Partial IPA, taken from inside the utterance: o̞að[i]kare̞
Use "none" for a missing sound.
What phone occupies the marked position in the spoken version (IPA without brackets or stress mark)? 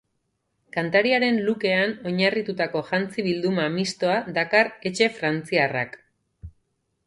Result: a